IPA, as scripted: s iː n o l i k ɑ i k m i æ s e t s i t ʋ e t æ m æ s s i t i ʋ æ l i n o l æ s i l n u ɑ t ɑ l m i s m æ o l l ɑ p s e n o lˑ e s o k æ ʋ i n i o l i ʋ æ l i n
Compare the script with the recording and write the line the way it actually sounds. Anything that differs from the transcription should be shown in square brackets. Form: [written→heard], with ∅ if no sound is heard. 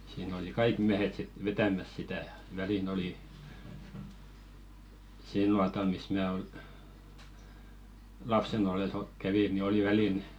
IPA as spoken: s iː n o l i k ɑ i k m i æ [s→h] e t s i t ʋ e t æ m æ s s i t [i→æ] ʋ æ l i n o l [æ→i] s i l n u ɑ t ɑ l m i s m [æ→æː] o l l ɑ p s e n o lˑ e s o k æ ʋ i n i o l i ʋ æ l i n